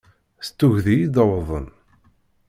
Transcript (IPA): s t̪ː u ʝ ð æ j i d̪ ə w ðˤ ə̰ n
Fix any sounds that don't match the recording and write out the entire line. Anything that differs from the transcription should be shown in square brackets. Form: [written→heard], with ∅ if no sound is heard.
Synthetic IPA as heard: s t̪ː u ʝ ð [æ→i] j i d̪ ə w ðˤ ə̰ n